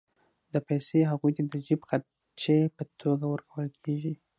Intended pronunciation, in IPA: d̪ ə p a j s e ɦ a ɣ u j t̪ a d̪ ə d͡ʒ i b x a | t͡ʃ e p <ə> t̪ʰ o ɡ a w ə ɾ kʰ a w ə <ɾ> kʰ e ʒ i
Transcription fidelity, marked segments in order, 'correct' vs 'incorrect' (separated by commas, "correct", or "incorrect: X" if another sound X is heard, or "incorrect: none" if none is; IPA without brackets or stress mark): correct, incorrect: l